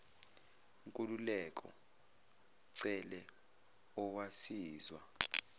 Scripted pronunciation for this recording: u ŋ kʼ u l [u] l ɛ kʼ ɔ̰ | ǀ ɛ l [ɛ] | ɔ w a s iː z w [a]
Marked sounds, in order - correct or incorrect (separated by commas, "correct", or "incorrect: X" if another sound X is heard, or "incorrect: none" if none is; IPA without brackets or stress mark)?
correct, correct, correct